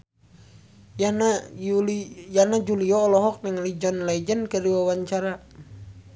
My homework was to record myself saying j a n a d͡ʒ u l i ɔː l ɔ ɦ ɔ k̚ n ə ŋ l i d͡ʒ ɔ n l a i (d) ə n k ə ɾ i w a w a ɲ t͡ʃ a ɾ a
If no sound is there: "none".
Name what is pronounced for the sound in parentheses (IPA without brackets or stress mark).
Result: d͡ʒ